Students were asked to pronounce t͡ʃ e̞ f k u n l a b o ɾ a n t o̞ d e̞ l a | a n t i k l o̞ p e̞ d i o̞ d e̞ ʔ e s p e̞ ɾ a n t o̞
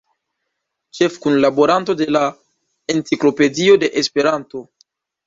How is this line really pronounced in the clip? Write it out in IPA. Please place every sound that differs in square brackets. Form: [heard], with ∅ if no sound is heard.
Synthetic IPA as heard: t͡ʃ e̞ f k u n l a b o ɾ a n t o̞ d e̞ l a | [e] n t i k l o̞ p e̞ d i o̞ d e̞ ʔ e s p e̞ ɾ a n t o̞